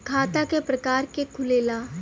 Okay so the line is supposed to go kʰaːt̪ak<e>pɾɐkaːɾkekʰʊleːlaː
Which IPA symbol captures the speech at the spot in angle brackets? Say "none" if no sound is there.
e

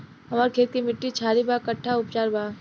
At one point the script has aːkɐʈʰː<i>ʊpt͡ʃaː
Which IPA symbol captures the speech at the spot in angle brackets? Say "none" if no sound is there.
a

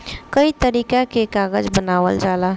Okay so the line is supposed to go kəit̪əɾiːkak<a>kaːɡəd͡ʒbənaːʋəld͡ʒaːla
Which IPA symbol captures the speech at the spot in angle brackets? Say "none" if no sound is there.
e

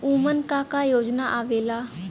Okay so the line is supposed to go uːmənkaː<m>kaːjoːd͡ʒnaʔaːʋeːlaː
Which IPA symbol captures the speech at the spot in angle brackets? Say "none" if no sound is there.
none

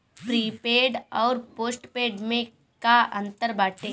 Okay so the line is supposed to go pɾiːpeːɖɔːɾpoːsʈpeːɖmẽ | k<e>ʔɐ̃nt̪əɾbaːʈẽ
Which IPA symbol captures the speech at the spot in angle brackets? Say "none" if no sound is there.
a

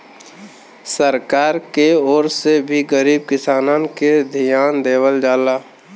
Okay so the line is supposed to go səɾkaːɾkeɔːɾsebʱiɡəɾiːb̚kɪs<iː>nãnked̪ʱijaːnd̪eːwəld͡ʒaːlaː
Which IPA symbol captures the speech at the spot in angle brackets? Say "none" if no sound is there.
aː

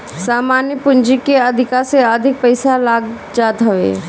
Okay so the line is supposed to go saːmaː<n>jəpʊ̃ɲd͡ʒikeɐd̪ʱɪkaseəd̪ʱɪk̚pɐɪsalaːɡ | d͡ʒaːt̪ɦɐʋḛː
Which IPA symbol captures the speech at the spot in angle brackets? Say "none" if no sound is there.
n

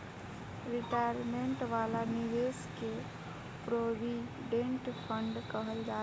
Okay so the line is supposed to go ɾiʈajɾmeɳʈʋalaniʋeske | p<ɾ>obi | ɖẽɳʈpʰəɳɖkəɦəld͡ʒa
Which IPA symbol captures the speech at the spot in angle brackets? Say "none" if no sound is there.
ɾ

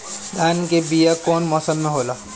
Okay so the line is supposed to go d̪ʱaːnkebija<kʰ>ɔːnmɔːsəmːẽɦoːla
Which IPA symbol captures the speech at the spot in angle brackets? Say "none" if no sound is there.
k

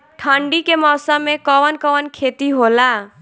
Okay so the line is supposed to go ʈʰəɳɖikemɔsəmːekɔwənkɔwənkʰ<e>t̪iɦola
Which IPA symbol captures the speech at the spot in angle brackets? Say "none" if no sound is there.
e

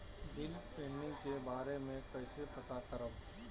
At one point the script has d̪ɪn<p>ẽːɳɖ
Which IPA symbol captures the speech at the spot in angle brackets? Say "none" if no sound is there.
p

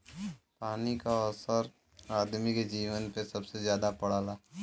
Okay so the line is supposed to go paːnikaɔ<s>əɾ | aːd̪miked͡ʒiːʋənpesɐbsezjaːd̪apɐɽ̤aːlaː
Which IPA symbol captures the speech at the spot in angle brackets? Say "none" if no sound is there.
s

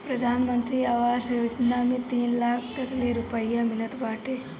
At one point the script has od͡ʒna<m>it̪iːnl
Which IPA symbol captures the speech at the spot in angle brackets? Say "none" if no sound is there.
m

